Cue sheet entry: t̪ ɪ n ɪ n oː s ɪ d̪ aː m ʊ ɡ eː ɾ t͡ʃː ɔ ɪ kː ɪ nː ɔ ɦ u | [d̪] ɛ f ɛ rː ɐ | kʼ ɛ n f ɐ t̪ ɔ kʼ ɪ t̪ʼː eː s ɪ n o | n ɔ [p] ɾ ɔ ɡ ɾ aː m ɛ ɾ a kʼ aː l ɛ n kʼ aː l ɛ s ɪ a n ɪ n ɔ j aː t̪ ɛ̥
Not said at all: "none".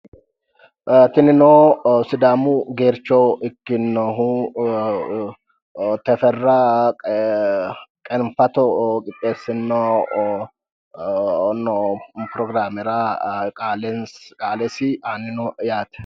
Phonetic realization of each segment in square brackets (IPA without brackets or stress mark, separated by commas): t̪, p